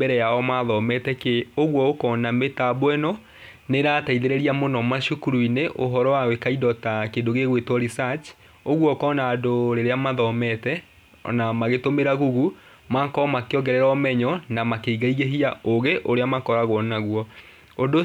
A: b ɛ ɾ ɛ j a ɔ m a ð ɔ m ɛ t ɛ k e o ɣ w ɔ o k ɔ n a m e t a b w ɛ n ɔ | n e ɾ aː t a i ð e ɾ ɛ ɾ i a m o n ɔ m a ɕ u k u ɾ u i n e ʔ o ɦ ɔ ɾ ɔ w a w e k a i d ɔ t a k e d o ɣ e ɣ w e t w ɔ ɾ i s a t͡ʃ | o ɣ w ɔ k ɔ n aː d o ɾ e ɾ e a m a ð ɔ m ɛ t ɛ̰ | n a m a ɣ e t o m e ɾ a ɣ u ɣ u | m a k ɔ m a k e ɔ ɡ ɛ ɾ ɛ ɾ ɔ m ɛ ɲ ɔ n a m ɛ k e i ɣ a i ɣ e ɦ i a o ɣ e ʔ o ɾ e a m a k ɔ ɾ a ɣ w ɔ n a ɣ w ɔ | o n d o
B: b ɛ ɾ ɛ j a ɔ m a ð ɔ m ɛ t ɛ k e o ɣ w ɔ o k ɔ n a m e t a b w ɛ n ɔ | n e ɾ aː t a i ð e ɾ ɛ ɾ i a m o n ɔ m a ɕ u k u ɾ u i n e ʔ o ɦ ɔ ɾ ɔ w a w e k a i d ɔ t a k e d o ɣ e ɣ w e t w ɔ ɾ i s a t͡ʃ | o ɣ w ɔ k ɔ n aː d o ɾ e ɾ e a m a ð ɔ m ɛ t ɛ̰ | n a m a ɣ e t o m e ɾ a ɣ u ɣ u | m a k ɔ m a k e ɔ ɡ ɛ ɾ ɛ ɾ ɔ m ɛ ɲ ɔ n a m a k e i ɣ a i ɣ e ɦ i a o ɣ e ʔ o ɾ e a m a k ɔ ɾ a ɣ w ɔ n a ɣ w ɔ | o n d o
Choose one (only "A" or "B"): B